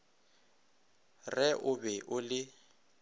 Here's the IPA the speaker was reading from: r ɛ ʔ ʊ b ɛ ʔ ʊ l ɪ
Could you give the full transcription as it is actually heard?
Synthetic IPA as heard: r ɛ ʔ ʊ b ɛ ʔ ʊ l ɪ